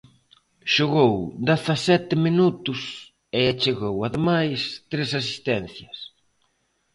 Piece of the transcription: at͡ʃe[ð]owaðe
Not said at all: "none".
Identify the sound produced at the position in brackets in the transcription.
ɣ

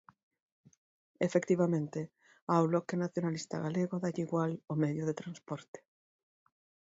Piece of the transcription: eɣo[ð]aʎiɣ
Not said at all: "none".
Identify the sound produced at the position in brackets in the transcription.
ð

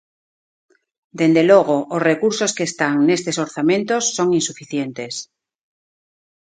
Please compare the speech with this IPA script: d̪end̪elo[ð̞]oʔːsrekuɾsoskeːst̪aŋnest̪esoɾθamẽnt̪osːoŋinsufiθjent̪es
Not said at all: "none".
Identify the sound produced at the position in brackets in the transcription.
ɣ̞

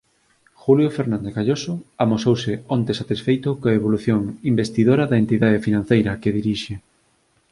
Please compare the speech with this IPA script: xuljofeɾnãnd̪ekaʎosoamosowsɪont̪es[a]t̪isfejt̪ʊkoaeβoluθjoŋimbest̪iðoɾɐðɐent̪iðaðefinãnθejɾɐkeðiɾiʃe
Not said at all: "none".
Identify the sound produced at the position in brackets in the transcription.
a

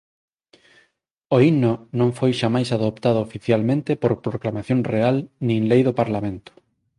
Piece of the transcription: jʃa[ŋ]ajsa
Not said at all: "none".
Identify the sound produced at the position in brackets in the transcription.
m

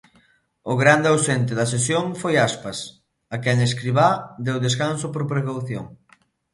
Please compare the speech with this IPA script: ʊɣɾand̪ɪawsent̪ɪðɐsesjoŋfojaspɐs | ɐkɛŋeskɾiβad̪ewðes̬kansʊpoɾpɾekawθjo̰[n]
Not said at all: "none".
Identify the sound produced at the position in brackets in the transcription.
ŋ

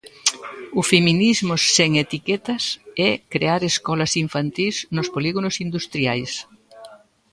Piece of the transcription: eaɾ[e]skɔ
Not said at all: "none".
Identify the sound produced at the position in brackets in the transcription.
e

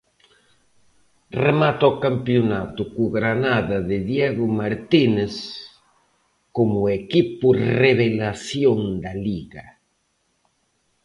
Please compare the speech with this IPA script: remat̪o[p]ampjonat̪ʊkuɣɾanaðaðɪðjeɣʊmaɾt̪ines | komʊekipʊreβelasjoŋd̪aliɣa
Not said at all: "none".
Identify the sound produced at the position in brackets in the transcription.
k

